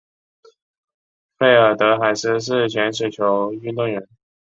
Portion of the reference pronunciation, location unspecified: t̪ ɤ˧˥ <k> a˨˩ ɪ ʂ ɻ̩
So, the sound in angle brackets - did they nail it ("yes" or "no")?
no